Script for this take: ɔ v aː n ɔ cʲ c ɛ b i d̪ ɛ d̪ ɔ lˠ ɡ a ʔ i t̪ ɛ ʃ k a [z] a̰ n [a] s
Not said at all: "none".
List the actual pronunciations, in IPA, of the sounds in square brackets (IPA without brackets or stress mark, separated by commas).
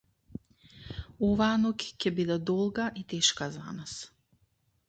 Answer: z, a